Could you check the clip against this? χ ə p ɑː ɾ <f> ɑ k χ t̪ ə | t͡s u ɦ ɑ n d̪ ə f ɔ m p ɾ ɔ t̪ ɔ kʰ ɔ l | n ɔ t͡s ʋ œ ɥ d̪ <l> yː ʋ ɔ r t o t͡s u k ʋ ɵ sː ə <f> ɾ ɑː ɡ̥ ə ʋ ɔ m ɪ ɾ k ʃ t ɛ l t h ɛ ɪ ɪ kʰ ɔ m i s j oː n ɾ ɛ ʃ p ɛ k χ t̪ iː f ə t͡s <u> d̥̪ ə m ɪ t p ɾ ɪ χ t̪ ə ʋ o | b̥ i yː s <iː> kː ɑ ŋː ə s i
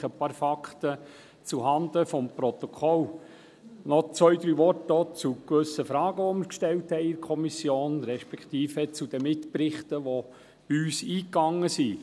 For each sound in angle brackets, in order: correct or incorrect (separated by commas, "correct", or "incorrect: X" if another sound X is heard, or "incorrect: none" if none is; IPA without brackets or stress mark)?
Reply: correct, incorrect: ɾ, correct, correct, correct